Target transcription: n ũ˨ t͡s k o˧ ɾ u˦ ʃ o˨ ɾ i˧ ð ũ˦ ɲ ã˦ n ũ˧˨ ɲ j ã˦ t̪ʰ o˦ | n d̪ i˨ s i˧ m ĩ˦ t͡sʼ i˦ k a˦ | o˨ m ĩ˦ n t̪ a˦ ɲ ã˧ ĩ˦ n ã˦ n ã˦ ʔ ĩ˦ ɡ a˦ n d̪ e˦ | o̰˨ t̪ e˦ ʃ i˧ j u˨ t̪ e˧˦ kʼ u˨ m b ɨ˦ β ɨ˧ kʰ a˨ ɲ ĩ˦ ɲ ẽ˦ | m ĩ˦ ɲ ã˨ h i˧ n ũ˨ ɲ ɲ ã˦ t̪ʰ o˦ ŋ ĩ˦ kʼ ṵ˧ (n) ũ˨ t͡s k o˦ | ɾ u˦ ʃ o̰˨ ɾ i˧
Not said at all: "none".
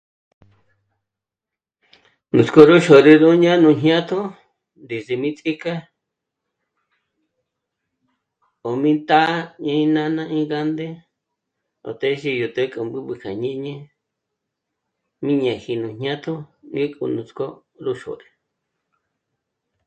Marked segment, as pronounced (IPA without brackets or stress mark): n